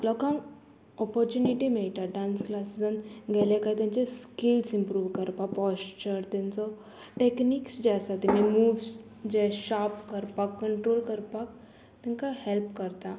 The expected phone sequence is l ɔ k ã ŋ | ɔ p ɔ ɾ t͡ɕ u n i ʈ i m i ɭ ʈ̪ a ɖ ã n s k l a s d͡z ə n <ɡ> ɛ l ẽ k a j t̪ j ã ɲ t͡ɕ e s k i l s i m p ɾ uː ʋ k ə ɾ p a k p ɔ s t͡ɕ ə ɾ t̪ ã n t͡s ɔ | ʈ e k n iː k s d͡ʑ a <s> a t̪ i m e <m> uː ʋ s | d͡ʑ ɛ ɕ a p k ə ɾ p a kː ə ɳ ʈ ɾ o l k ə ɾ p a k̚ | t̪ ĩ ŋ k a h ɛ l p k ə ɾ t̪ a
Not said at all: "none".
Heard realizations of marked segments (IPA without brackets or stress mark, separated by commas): ɡ, s, m